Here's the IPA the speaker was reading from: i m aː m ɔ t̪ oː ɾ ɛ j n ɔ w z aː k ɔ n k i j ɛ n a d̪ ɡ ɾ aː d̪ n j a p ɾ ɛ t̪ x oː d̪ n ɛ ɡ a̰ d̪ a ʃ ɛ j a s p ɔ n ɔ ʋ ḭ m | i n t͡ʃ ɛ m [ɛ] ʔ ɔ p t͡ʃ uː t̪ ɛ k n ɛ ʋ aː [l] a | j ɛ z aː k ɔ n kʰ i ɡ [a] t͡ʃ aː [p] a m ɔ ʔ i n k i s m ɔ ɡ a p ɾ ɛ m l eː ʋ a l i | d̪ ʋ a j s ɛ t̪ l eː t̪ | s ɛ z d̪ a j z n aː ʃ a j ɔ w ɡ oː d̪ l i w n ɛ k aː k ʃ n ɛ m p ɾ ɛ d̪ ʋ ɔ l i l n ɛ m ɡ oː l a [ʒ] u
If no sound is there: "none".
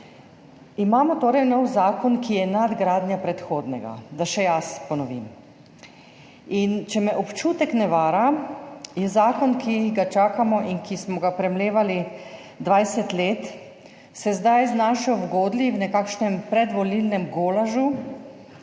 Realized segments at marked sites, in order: ɛ, ɾ, a, k, ʒ

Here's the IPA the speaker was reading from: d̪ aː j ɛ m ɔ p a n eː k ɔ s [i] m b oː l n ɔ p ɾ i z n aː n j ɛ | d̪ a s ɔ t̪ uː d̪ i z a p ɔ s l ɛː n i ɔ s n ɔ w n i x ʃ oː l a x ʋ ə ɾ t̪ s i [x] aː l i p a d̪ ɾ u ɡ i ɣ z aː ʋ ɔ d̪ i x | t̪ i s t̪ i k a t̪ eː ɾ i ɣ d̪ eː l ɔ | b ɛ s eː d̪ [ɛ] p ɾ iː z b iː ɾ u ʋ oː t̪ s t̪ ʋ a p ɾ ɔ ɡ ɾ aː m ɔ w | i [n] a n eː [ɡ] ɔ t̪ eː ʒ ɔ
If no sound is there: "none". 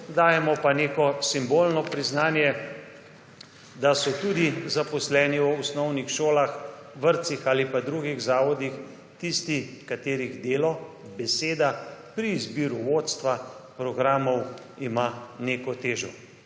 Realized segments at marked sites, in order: i, x, a, m, k

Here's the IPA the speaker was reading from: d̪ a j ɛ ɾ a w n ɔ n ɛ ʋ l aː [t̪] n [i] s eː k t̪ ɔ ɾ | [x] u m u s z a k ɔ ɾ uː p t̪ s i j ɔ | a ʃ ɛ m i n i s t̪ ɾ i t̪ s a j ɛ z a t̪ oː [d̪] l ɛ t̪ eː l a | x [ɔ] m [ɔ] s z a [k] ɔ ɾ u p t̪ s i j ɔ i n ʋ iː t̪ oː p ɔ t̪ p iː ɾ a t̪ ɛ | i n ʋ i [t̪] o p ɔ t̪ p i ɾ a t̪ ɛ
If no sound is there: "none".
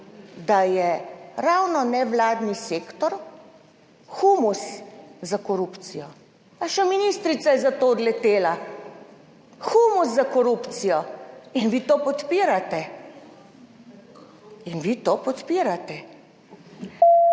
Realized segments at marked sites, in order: d̪, i, x, d̪, u, u, k, t̪

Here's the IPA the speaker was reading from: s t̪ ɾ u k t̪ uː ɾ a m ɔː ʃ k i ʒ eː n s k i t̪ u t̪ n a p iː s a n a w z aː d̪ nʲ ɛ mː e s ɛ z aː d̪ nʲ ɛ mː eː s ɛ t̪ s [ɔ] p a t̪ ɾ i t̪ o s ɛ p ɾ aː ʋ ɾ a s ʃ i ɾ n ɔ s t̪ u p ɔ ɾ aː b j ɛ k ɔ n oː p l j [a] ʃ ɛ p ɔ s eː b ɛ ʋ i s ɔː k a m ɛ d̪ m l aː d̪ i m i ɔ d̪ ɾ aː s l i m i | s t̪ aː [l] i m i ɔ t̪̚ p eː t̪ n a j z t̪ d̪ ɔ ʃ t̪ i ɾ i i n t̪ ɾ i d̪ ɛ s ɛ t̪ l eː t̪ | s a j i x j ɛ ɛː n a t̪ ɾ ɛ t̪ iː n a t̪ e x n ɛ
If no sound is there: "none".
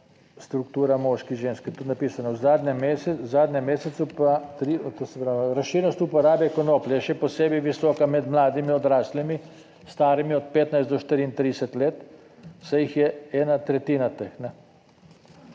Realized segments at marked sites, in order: u, ɛ, ɾ

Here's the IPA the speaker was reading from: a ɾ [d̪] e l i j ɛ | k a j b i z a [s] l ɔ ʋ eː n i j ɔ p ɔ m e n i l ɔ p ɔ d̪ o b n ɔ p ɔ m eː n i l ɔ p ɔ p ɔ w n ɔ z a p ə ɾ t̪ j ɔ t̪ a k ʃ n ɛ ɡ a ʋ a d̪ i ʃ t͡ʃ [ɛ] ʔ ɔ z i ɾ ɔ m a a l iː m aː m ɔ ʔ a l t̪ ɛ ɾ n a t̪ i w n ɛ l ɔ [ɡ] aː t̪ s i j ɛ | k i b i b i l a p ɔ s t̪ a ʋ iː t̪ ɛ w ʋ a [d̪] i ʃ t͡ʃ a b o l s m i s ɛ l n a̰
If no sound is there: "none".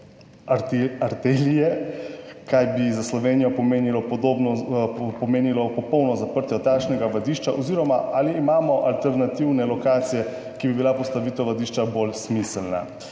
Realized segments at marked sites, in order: t̪, s, a, k, d̪

